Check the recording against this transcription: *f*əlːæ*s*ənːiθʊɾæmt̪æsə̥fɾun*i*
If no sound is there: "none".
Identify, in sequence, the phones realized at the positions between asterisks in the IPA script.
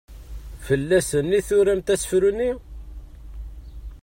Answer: f, s, i

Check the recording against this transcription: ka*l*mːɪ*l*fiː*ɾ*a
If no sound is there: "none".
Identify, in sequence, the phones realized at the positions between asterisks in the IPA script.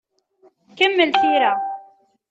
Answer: none, l, ɾ

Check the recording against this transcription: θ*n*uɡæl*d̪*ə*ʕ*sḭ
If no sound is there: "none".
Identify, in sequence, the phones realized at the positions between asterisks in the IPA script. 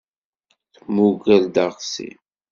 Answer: m, d̪, ʁ

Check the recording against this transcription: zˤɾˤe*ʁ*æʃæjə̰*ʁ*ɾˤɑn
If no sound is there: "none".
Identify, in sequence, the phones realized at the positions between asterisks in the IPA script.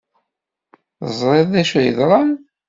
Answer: ð, ð

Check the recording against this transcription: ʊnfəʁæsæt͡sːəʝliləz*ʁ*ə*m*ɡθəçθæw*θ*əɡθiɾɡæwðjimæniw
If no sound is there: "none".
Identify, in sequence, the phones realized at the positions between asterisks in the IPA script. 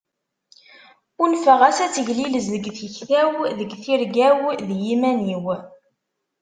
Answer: ð, none, ð

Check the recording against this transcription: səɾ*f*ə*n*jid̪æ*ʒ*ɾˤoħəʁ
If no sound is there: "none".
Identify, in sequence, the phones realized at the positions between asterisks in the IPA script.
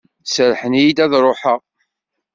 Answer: ħ, n, ð

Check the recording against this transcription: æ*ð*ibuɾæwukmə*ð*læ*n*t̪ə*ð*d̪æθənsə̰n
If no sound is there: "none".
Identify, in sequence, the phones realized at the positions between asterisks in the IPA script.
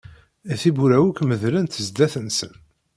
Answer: θ, ð, n, z

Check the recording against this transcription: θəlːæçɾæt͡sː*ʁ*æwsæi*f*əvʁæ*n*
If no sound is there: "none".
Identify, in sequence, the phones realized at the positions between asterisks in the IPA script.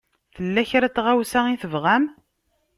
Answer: ʁ, θ, m

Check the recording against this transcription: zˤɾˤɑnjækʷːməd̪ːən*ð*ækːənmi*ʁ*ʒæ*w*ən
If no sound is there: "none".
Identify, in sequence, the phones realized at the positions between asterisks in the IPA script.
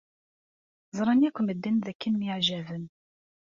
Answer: ð, ʕ, v

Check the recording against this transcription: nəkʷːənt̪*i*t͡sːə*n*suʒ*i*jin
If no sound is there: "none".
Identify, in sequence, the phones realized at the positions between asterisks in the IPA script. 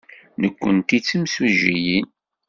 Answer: i, m, i

